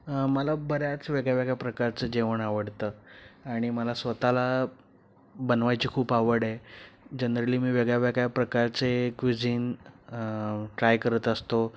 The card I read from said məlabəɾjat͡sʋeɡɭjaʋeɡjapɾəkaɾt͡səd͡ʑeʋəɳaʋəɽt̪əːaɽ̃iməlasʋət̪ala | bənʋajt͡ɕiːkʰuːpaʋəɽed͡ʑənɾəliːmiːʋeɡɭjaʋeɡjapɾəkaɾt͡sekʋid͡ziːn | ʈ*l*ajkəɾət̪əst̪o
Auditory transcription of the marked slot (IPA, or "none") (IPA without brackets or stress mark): ɾ